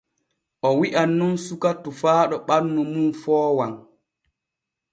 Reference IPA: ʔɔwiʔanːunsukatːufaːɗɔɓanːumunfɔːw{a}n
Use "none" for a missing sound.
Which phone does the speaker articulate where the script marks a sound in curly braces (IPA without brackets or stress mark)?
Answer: a